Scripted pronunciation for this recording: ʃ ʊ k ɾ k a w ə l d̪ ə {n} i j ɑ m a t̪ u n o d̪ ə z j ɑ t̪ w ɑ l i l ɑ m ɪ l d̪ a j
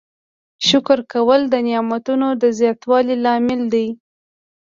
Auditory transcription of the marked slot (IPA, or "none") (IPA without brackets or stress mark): n